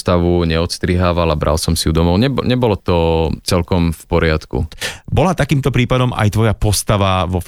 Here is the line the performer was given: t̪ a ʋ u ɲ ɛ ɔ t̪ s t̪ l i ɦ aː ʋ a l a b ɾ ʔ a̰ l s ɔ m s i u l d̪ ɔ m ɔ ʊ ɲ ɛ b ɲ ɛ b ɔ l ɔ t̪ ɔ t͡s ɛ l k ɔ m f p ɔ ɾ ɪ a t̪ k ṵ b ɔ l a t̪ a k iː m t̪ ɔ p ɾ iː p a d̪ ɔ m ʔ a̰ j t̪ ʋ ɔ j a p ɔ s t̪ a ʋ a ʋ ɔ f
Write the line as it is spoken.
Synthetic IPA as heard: t̪ a ʋ u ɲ ɛ ɔ t̪ s t̪ ɾ i ɦ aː ʋ a l a b ɾ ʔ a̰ l s ɔ m s i u d̪ ɔ m ɔ ʊ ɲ ɛ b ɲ ɛ b ɔ l ɔ t̪ ɔ t͡s ɛ l k ɔ m f p ɔ ɾ ɪ a t̪ k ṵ b ɔ l a t̪ a k iː m t̪ ɔ p ɾ iː p a d̪ ɔ m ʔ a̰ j t̪ ʋ ɔ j a p ɔ s t̪ a ʋ a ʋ ɔ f